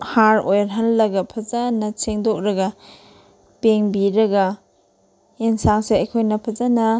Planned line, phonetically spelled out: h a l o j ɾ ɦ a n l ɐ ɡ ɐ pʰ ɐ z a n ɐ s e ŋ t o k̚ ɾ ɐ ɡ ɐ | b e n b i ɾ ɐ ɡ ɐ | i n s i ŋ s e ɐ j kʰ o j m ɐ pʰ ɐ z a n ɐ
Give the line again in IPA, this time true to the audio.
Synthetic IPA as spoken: h a ɾ o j ɾ ɦ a n l ɐ ɡ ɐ pʰ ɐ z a n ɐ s e ŋ d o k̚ ɾ ɐ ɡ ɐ | p e ŋ b i ɾ ɐ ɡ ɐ | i n s a ŋ s e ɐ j kʰ o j n ɐ pʰ ɐ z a n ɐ